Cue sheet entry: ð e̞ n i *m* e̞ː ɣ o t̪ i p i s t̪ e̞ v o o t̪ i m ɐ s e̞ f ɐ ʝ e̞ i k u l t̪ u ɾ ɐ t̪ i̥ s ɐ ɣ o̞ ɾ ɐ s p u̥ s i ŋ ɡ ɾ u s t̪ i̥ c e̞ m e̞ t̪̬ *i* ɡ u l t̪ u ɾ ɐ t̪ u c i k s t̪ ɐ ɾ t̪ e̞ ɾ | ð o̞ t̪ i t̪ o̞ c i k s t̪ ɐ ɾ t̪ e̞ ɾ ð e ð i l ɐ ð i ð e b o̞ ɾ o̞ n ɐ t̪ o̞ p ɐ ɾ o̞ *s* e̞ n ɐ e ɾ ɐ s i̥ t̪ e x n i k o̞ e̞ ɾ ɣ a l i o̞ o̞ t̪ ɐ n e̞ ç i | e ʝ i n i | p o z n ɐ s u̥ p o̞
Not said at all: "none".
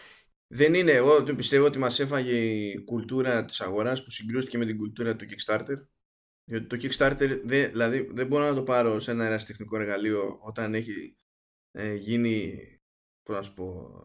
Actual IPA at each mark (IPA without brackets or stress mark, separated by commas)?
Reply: n, i, s